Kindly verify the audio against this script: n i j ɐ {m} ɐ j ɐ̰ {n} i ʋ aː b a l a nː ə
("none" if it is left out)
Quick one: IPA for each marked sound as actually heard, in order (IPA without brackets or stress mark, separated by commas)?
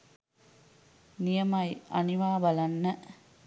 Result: m, n